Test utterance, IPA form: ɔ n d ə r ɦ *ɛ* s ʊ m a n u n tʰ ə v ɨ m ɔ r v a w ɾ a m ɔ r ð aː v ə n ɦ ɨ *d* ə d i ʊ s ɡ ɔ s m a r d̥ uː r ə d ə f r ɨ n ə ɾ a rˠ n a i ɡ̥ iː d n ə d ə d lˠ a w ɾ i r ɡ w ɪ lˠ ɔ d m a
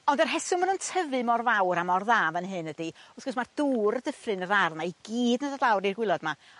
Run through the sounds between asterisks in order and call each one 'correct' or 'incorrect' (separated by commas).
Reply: correct, incorrect